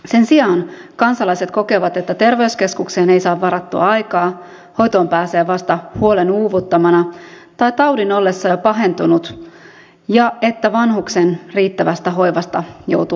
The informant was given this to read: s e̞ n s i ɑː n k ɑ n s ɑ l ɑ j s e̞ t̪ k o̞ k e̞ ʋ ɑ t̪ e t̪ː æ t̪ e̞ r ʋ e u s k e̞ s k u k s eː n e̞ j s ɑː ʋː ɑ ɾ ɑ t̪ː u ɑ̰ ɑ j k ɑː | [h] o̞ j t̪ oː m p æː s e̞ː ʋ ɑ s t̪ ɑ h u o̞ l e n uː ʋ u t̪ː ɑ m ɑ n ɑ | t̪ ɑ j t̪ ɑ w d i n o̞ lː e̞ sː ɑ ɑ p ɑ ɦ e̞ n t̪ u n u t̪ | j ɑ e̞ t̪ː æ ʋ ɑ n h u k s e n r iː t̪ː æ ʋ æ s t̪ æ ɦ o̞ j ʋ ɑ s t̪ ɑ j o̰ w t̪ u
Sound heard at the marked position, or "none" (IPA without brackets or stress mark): h